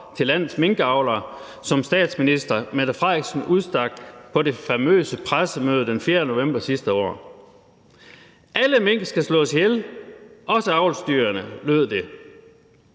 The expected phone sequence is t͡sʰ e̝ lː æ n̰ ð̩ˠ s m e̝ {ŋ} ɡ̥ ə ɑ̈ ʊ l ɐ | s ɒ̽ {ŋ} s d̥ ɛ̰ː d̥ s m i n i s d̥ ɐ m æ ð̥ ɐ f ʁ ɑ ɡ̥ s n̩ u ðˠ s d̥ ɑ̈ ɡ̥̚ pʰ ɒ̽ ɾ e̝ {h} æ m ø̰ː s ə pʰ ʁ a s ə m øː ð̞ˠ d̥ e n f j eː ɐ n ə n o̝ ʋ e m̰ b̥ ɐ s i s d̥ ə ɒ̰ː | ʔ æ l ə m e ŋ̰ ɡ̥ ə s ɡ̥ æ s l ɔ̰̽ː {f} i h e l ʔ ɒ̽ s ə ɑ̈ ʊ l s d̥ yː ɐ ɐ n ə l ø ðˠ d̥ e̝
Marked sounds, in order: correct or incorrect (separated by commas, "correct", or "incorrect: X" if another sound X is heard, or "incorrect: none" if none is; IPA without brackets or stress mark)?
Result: correct, incorrect: m, incorrect: f, incorrect: s